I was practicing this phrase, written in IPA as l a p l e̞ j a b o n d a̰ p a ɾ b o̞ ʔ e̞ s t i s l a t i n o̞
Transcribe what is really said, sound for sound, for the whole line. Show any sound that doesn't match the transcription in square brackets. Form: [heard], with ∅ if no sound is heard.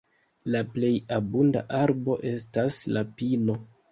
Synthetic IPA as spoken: l a p l e̞ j a b [u] n d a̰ [ʔ] a ɾ b o̞ ʔ e̞ s t [a] s l a [p] i n o̞